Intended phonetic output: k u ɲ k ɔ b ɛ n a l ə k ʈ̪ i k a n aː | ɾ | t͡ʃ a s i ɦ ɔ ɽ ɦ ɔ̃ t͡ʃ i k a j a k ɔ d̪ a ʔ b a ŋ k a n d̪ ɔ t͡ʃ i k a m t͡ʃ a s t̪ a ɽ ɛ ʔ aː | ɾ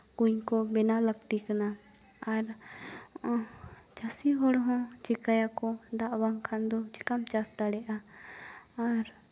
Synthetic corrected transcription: k u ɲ k ɔ b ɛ n a l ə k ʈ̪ i k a n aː | ɾ | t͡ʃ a s i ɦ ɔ ɽ ɦ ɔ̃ t͡ʃ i k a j a k ɔ d̪ a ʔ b a ŋ kʰ a n d̪ ɔ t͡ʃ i k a m t͡ʃ a s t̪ a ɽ ɛ ʔ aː | ɾ